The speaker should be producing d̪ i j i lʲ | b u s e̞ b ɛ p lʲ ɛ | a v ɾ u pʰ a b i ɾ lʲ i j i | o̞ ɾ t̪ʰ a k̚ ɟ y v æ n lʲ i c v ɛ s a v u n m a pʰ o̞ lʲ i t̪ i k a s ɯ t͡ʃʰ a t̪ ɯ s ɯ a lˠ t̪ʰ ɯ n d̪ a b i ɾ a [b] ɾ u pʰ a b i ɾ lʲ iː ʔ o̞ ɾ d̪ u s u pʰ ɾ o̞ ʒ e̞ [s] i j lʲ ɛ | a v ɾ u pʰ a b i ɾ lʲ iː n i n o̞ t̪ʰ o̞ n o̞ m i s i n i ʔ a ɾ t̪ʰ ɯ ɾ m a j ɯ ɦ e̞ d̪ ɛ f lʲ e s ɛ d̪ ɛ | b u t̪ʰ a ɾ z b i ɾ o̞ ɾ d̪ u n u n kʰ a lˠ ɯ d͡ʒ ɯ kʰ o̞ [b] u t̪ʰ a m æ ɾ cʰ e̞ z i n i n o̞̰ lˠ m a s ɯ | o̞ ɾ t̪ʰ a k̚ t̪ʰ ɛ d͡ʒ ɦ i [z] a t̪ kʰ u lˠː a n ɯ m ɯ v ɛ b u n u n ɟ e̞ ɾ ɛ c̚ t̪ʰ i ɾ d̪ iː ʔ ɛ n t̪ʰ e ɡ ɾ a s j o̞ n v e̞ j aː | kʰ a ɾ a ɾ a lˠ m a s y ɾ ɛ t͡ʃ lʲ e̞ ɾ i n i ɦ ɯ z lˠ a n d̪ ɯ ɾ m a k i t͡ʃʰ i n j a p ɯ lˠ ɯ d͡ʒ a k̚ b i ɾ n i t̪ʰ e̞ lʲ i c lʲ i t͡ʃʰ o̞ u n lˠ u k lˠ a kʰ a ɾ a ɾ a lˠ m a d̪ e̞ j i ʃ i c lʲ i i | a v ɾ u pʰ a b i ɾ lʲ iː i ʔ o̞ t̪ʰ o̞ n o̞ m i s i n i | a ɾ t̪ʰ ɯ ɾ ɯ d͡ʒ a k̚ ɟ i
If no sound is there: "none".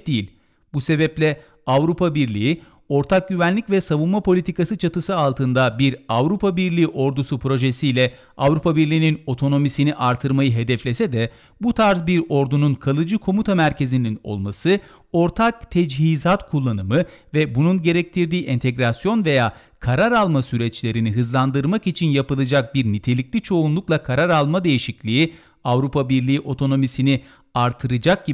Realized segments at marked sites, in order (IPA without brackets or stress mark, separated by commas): v, s, m, z